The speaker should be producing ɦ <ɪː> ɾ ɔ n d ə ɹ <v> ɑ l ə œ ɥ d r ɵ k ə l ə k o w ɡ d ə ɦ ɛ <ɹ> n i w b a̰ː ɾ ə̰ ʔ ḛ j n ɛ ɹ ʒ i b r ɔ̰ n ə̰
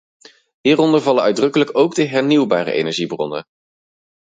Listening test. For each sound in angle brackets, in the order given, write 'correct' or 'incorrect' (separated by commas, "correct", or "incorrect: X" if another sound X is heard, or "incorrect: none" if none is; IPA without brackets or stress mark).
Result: incorrect: iː, correct, correct